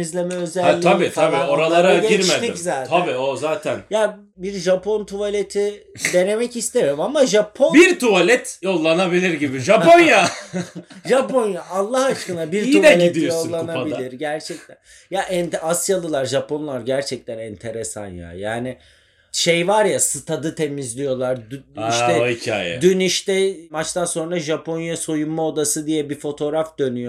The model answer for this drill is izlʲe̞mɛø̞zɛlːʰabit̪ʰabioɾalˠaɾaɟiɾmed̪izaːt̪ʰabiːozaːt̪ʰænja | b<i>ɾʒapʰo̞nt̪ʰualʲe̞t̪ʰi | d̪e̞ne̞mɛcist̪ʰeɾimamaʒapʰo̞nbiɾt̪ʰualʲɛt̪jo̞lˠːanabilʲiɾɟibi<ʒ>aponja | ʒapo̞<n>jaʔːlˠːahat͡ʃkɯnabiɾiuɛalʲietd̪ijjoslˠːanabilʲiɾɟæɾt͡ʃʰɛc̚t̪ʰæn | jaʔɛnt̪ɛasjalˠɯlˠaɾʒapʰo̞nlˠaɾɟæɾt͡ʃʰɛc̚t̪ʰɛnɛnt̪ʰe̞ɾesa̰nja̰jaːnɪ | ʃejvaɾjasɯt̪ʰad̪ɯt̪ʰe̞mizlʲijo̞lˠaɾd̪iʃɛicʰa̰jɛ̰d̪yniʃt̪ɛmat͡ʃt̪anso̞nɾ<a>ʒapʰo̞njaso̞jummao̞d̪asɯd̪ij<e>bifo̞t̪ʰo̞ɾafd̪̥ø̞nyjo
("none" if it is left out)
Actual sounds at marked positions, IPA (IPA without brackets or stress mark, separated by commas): i, ʒ, n, a, ɛ